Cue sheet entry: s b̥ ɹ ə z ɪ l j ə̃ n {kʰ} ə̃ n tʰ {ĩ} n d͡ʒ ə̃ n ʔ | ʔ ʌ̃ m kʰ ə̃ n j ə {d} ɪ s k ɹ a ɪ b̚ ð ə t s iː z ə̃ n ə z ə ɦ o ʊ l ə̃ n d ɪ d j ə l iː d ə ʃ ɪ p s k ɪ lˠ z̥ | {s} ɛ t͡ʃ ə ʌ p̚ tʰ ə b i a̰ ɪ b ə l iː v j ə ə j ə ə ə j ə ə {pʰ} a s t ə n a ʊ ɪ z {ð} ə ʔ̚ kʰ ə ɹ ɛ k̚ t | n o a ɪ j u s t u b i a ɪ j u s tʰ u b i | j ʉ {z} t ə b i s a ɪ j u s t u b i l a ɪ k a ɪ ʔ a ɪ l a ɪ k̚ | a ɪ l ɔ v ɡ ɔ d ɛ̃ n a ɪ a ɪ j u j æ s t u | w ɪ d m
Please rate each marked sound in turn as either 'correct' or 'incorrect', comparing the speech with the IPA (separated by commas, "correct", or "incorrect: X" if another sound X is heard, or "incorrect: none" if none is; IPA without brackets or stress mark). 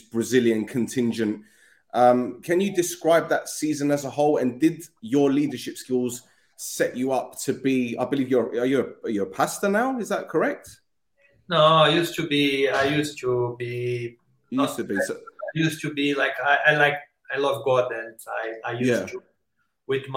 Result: correct, incorrect: ɪ̃, correct, correct, correct, correct, incorrect: s